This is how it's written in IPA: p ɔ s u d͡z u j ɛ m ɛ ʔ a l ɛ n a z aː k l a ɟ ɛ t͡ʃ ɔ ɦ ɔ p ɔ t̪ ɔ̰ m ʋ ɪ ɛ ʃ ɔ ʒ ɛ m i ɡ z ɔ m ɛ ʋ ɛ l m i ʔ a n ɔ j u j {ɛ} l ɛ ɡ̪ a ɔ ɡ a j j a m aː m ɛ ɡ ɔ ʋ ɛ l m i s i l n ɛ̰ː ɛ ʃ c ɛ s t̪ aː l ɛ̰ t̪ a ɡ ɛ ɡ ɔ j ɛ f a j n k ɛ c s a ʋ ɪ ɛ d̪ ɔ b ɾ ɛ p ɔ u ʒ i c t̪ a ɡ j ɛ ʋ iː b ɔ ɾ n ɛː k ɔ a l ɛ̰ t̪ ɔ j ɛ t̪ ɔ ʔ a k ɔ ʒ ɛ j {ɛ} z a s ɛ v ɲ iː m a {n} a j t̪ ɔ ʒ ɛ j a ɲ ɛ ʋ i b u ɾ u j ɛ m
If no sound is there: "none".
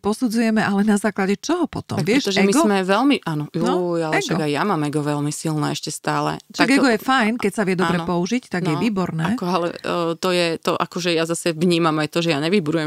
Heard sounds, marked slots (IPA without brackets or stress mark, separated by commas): a, a, m